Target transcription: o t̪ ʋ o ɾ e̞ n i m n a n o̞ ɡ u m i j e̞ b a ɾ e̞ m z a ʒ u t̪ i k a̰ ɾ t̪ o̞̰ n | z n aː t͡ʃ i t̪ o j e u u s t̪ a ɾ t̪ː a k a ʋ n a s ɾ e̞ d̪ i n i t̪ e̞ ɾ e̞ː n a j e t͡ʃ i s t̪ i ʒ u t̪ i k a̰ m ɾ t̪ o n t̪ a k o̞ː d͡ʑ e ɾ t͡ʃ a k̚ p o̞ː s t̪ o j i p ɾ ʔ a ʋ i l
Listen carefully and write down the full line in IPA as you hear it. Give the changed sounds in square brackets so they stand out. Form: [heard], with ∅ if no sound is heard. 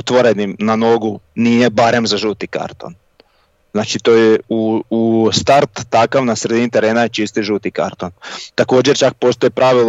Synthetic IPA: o t̪ ʋ o ɾ e̞ n i m n a n o̞ ɡ u [n] i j e̞ b a ɾ e̞ m z a ʒ u t̪ i k a̰ ɾ t̪ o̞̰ n | z n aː t͡ʃ i t̪ o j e u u s t̪ a ɾ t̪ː a k a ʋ n a s ɾ e̞ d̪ i n i t̪ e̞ ɾ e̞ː n a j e t͡ʃ i s t̪ i ʒ u t̪ i k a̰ [∅] ɾ t̪ o n t̪ a k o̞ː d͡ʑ e ɾ t͡ʃ a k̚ p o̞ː s t̪ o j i p ɾ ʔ a ʋ i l